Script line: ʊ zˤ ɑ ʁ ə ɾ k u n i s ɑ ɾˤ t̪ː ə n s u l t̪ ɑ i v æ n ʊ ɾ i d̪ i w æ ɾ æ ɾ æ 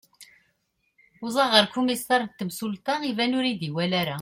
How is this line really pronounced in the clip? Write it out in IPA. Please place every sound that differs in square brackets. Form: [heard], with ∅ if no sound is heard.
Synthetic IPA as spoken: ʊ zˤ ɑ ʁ ə ɾ k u [m] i s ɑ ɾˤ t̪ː ə [m] s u l t̪ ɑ i v æ n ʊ ɾ i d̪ i w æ [l] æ ɾ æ

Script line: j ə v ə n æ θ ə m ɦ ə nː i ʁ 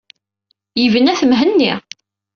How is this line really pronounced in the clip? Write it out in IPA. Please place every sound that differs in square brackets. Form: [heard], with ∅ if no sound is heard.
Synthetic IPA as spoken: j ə v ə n æ θ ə m ɦ ə nː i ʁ

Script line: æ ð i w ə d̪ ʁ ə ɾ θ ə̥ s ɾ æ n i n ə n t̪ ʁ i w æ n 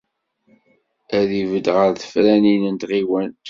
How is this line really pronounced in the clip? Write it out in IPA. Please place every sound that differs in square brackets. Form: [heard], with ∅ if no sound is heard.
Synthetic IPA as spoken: æ ð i [v] ə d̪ ʁ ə ɾ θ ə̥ [f] ɾ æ n i n ə n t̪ ʁ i w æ n

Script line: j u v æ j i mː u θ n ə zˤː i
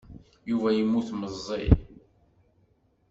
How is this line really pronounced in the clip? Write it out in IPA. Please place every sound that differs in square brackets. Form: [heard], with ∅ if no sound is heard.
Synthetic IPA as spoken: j u v æ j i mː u θ [m] ə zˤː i

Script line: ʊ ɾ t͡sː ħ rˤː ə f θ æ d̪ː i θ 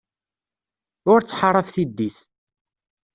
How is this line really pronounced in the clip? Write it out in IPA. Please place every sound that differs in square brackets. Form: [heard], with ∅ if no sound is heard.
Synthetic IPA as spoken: ʊ ɾ t͡sː ħ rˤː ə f θ [i] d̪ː i θ

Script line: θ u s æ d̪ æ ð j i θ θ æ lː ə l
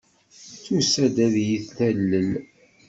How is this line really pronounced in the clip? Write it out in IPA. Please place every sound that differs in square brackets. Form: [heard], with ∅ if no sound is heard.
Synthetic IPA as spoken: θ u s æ d̪ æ ð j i θ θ æ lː ə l

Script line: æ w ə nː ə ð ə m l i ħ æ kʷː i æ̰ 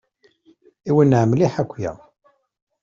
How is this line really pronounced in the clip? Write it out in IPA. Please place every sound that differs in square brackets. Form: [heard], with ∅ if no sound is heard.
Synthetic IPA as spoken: [i] w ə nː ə [ʕ] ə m l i ħ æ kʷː [j] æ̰

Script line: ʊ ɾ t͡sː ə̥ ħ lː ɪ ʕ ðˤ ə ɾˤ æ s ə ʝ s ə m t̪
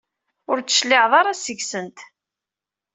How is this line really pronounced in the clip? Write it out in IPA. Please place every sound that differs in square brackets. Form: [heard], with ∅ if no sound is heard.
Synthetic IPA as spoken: ʊ ɾ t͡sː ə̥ [ʃ] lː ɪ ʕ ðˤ [ɑ] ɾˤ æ s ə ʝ s ə [n] t̪

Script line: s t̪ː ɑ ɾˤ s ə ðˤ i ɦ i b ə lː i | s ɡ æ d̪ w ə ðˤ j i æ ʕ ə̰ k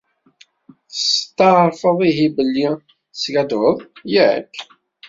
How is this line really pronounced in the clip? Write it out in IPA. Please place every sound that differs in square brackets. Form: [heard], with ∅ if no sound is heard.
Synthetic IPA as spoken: s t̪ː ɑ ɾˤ [f] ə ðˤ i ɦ i b ə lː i | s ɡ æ d̪ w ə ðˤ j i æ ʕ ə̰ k

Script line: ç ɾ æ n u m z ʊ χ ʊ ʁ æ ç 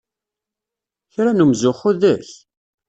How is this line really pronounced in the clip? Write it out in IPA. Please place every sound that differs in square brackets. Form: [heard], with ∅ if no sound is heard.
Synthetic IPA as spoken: ç ɾ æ n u m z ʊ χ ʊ [ð] æ ç

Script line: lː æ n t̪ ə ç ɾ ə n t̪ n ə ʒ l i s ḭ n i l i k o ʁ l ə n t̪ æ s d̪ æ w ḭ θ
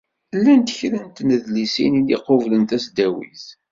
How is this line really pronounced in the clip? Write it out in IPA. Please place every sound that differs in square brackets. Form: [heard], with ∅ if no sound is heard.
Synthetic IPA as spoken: lː æ n t̪ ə ç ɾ ə n t̪ n ə [ð] l i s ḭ n i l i [q] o [v] l ə n t̪ æ s d̪ æ w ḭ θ

